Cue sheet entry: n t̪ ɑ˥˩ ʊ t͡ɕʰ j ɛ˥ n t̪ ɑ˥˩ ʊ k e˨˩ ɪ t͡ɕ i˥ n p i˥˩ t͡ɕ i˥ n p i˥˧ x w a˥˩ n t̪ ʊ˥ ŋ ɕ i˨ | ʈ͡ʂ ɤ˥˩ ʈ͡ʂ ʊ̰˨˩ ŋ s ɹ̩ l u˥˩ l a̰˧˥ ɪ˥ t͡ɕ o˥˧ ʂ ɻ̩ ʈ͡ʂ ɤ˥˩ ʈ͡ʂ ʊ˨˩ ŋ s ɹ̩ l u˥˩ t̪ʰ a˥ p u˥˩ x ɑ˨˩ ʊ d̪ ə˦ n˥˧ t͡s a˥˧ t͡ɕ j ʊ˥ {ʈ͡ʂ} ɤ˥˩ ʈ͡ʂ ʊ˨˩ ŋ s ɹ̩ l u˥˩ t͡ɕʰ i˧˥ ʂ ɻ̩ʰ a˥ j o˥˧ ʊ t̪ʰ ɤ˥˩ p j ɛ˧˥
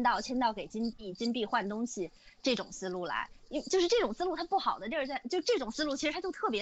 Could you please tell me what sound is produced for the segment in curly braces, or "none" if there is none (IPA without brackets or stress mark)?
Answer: ʈ͡ʂ